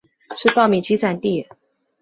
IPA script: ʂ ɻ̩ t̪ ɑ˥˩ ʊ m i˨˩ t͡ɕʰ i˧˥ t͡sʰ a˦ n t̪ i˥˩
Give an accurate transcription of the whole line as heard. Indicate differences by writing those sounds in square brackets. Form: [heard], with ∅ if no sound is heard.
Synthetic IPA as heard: ʂ ɻ̩ t̪ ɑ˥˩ ʊ m i˨˩ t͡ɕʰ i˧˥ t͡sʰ [a˨˩] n t̪ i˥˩